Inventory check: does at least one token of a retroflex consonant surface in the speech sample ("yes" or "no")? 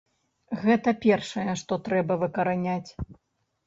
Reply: yes